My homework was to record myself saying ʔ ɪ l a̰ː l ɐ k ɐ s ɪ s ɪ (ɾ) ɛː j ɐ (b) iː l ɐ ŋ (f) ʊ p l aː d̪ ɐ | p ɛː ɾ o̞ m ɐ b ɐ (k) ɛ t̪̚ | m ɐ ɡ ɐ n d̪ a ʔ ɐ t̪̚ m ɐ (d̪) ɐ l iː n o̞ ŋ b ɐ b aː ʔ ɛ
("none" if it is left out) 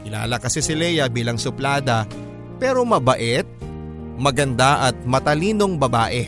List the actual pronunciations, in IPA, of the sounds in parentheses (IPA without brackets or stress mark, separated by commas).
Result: l, b, s, ʔ, t̪